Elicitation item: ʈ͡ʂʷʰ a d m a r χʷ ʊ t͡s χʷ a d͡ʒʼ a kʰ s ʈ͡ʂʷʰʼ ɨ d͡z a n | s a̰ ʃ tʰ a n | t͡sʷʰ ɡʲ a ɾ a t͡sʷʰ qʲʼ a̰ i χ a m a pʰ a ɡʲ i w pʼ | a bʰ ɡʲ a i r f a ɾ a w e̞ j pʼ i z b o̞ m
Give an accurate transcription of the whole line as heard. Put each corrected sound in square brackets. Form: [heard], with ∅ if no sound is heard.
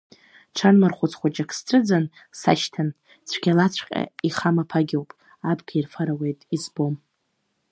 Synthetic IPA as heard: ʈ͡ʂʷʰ a [n] m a r χʷ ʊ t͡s χʷ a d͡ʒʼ a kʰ s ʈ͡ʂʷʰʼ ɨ d͡z a n | s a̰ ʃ tʰ a n | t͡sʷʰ ɡʲ a [l] a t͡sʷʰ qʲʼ a̰ i χ a m a pʰ a ɡʲ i w pʼ | a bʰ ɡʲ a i r f a ɾ a w e̞ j [tʼ] i z b o̞ m